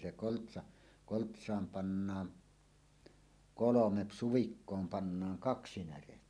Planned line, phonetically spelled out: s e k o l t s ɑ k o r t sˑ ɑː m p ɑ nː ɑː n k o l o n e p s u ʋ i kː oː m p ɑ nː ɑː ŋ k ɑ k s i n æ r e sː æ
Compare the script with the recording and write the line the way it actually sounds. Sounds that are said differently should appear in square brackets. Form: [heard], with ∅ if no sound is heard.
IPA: s e k o l t s ɑ k o [l] t sˑ ɑː m p ɑ nː ɑː n k o l o [m] e p s u ʋ i kː oː m p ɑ nː ɑː ŋ k ɑ k s i n æ r e [tː] æ